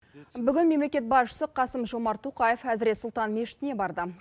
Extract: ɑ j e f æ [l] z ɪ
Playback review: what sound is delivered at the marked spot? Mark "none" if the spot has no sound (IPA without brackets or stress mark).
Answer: none